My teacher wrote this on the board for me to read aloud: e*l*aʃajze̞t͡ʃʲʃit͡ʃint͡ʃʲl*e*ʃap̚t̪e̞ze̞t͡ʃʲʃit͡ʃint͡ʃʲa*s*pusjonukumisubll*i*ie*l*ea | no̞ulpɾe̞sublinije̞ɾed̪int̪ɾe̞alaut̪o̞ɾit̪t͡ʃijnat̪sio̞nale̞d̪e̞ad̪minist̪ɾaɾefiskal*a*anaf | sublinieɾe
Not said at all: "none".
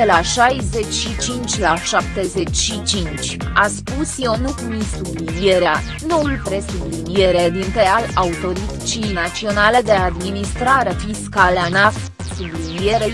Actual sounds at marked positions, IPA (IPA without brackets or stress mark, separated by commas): l, a, s, i, ɾ, e